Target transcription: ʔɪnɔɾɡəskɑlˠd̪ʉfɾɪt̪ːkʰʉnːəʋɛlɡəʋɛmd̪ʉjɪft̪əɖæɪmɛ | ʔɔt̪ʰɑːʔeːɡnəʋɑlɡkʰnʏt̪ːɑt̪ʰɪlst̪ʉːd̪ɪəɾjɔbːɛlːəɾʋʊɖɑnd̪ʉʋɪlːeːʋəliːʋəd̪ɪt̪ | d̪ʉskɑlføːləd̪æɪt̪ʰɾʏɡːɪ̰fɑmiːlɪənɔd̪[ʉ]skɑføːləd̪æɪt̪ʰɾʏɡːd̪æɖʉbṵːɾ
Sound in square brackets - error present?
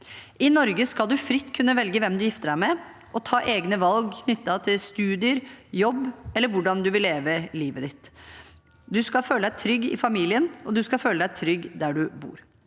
no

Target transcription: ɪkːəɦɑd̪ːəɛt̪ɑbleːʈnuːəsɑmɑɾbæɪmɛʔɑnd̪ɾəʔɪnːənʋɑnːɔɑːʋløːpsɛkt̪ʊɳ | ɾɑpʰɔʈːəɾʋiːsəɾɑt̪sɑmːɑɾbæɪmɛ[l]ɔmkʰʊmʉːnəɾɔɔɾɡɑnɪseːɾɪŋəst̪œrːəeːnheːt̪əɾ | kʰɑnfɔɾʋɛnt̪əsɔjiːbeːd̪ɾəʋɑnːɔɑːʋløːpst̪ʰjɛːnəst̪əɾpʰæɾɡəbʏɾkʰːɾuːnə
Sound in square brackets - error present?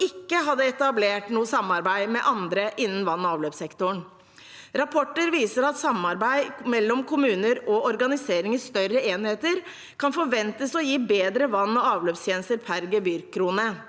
yes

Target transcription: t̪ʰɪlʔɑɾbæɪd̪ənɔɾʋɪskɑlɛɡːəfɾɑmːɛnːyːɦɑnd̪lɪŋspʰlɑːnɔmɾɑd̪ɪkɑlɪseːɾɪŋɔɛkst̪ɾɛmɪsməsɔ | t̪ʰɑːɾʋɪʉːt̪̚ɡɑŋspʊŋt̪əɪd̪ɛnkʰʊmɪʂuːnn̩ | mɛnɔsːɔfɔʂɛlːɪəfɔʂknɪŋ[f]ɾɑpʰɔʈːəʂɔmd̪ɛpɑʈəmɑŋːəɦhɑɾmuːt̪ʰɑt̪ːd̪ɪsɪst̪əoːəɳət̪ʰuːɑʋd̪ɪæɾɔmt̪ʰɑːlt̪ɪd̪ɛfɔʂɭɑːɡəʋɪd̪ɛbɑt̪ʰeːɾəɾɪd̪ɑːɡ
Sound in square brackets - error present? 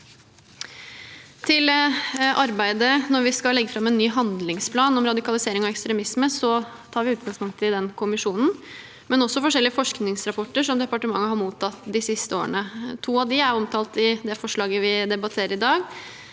yes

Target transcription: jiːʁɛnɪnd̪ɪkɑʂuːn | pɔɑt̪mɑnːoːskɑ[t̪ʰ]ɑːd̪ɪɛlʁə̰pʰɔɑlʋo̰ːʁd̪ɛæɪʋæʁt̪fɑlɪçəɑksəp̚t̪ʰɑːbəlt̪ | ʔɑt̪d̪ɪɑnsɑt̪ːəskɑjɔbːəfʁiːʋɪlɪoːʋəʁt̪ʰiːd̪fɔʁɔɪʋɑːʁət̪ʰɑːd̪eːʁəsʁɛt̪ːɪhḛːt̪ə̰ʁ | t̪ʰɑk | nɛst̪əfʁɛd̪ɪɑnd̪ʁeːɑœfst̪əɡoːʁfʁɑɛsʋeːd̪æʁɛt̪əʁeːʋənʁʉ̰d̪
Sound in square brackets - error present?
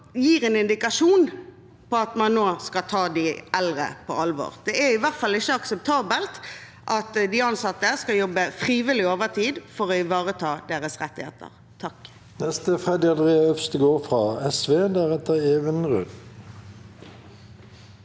no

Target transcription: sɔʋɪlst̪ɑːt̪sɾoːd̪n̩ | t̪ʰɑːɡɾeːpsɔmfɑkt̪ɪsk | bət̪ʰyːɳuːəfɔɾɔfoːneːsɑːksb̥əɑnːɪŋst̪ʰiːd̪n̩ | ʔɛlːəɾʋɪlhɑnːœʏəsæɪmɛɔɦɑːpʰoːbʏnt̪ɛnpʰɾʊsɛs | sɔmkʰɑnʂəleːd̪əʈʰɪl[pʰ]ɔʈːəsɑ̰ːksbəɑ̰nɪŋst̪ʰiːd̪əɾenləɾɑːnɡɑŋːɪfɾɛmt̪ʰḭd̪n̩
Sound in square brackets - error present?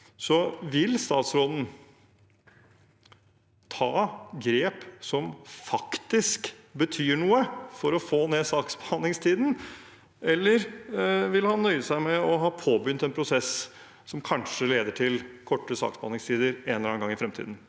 yes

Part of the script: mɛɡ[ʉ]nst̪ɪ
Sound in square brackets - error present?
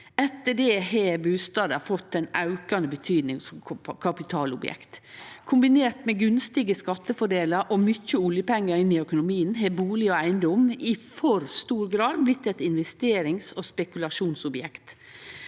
no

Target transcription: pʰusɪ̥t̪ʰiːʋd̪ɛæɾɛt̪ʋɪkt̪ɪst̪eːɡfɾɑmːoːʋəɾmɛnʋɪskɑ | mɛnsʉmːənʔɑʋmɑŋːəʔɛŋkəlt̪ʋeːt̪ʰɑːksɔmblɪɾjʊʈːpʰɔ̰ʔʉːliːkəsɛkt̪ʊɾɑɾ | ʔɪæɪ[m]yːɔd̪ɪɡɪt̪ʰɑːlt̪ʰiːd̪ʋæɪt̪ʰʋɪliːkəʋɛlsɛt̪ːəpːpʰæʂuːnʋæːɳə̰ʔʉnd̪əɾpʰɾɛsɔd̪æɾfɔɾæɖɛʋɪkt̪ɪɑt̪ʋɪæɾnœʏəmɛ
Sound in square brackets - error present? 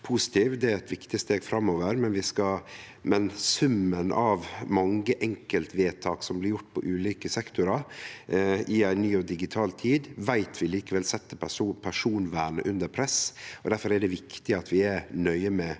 yes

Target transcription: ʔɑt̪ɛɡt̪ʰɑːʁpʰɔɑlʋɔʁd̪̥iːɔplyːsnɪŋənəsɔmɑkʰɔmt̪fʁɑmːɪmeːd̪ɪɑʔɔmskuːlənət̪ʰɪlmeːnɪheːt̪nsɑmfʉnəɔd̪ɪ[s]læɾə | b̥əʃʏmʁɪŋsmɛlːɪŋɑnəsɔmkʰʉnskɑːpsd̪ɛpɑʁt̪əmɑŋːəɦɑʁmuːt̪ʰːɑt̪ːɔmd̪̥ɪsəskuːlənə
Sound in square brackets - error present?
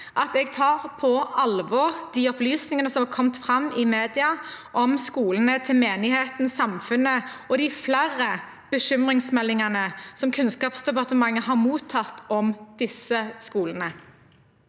yes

